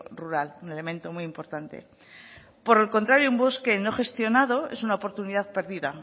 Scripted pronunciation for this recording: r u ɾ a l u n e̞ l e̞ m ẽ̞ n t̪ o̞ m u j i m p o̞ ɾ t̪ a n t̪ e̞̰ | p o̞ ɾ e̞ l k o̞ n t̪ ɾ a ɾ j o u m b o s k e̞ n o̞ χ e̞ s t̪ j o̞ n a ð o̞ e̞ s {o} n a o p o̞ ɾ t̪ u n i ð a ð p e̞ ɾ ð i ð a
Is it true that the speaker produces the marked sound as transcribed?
no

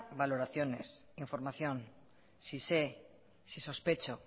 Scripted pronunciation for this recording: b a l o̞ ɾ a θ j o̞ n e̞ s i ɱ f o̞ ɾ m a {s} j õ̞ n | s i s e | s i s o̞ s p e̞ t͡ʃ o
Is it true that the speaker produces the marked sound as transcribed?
no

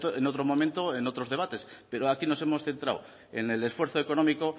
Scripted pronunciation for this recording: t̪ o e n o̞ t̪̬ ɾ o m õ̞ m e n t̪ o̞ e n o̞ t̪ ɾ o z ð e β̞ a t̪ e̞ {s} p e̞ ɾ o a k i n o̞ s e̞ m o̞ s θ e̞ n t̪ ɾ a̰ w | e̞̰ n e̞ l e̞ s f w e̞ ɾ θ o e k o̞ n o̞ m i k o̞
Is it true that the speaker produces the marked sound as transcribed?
yes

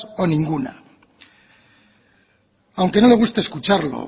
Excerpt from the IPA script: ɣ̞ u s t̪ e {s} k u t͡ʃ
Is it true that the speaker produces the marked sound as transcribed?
yes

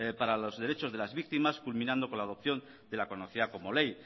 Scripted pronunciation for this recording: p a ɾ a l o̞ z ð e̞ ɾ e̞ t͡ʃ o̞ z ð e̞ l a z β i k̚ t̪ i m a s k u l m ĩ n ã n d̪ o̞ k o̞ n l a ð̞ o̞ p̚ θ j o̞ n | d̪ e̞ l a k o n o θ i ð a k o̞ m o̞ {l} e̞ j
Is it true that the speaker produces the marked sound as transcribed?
yes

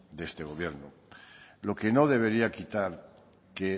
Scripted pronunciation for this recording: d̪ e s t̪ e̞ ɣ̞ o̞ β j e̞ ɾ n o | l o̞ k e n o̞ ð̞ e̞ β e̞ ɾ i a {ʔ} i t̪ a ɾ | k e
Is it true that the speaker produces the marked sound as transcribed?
no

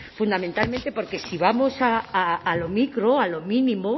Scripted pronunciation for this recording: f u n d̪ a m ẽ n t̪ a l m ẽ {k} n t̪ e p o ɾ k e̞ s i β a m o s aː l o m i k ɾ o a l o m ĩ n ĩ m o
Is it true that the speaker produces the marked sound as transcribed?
no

